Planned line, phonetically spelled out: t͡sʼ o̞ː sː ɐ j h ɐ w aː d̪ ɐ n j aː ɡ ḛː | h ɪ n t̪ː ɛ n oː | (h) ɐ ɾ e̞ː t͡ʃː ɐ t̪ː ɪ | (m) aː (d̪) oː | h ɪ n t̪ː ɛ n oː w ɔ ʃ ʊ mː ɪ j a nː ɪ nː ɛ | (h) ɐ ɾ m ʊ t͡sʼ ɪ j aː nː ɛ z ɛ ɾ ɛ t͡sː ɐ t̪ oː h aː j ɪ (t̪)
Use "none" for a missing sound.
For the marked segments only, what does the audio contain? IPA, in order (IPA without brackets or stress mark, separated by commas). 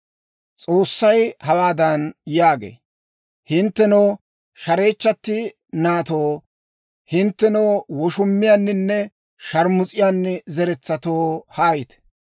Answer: ʃ, n, t̪, ʃ, t̪